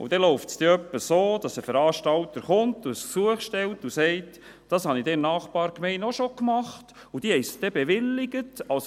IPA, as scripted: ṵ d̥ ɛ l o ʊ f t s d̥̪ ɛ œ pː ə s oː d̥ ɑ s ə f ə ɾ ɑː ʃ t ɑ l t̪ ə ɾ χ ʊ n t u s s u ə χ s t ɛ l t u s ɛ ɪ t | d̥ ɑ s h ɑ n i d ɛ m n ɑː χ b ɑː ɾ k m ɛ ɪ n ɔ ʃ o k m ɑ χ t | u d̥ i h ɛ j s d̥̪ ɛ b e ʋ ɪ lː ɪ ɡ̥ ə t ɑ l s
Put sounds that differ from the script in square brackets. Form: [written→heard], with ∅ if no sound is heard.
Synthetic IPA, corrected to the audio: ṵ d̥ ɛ l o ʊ f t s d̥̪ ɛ œ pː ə s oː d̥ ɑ s ə f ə ɾ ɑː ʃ t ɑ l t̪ ə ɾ χ ʊ n t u s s u ə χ [s→ʃ] t ɛ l t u s ɛ ɪ t | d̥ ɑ s h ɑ n i d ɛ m n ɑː χ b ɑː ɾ k m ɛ ɪ n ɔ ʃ o k m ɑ χ t | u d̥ i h ɛ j s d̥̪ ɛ b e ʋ ɪ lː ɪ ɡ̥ ə t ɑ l s